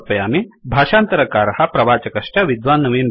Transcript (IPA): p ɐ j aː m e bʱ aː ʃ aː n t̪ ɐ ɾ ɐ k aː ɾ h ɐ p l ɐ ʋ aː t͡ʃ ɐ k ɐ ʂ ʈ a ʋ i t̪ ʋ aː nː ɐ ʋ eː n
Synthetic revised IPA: p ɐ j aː m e bʱ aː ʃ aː n t̪ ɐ ɾ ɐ k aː ɾ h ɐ p ɾ ɐ ʋ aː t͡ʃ ɐ k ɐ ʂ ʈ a ʋ i d̪ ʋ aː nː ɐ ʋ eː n